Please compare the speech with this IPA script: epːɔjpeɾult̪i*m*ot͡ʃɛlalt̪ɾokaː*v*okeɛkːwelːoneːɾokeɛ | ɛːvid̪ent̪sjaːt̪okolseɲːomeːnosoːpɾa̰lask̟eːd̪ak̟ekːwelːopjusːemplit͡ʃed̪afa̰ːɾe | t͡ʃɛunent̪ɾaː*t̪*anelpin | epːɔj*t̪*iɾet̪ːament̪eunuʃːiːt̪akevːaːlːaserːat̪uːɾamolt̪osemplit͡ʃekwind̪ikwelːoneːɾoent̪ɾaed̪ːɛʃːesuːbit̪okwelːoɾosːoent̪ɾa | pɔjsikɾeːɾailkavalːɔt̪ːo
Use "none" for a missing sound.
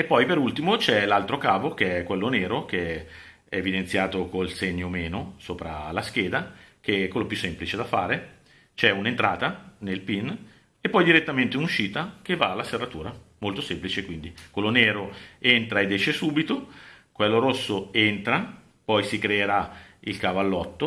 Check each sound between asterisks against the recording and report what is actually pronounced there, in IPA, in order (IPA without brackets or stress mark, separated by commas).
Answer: m, v, t̪, d̪